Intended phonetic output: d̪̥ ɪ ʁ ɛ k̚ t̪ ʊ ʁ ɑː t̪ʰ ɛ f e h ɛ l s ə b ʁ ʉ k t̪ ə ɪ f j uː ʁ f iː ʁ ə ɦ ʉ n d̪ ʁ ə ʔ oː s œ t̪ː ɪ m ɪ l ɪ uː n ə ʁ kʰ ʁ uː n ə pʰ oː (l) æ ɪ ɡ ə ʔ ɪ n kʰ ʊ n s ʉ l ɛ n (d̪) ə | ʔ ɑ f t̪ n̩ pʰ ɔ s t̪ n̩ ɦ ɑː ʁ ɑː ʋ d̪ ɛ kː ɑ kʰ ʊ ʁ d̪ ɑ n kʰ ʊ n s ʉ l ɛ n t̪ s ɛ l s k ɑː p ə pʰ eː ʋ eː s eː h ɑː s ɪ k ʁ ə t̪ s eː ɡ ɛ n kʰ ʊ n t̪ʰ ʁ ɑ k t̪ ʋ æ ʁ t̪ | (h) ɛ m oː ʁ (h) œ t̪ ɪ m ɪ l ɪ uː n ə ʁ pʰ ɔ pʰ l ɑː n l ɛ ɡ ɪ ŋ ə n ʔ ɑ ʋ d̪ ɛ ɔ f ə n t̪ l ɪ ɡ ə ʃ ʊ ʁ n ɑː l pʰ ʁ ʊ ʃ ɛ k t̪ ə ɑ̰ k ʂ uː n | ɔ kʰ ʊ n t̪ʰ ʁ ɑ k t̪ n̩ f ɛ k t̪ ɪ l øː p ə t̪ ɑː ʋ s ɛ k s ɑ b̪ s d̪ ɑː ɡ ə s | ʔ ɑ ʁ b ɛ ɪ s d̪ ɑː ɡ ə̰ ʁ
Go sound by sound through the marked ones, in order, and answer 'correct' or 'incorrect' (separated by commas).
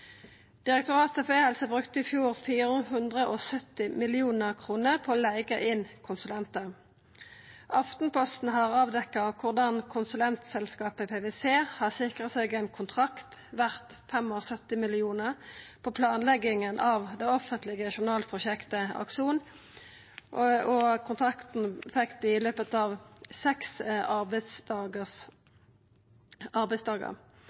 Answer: correct, incorrect, incorrect, incorrect